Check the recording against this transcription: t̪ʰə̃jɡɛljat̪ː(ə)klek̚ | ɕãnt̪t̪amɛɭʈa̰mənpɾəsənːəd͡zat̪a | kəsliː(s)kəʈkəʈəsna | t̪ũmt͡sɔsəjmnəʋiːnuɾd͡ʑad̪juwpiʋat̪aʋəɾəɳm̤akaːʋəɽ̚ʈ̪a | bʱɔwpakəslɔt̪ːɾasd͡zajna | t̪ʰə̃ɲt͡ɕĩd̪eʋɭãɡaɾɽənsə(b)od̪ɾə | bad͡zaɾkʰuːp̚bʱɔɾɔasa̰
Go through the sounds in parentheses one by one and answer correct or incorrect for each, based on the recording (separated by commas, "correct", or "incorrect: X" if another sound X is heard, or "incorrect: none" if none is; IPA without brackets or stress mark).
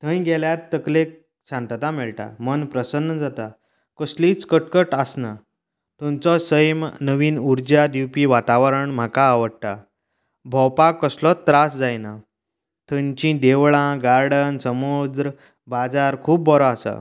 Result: correct, incorrect: t͡s, incorrect: m